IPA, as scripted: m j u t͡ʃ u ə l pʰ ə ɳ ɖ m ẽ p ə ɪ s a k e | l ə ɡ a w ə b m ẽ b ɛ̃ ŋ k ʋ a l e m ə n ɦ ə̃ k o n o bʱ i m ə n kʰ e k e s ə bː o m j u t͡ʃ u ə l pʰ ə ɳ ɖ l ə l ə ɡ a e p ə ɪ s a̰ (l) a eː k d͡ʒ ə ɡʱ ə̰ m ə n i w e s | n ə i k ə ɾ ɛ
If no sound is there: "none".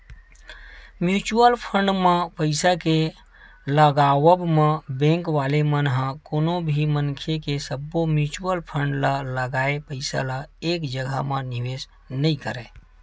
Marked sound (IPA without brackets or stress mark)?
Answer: l